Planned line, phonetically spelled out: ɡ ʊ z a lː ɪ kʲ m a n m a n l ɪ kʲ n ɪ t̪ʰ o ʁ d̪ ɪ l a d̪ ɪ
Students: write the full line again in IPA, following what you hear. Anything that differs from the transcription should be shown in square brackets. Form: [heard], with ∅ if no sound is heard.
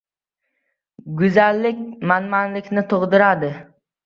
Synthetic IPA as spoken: ɡ ʊ z a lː ɪ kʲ m a n m a n l ɪ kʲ n ɪ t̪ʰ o ʁ d̪ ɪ [ɾ] a d̪ ɪ